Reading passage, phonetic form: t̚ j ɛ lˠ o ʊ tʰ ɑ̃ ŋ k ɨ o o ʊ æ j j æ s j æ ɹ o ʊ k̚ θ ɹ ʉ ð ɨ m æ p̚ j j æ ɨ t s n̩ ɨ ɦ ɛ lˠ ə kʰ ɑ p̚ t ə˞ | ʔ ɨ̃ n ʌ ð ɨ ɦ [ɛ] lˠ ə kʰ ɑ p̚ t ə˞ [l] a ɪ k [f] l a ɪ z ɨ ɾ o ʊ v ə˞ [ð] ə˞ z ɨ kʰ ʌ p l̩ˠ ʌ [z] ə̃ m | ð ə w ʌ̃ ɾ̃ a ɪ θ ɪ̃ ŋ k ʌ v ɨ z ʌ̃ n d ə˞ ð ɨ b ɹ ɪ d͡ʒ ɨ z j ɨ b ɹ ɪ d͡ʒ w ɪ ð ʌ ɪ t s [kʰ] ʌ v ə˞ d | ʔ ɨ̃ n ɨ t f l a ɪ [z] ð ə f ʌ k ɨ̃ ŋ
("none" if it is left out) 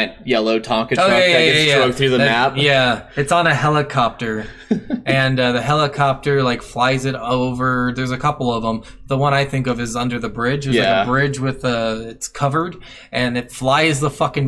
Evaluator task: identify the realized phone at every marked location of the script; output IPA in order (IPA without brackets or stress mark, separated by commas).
ɛ, l, f, ð, v, kʰ, z